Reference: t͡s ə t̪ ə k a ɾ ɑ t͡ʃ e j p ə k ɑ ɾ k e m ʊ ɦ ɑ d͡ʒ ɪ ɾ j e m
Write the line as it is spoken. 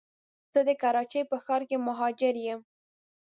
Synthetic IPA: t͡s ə d̪ ə k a ɾ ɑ t͡ʃ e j p ə x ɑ ɾ k e m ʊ ɦ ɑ d͡ʒ ɪ ɾ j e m